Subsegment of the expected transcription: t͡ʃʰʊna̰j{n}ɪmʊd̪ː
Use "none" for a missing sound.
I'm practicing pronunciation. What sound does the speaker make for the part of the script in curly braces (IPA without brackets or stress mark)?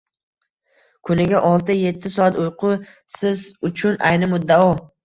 n